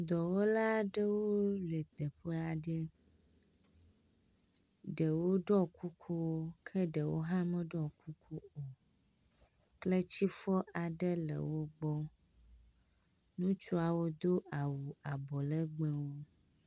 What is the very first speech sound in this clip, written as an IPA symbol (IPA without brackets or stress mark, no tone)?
d̪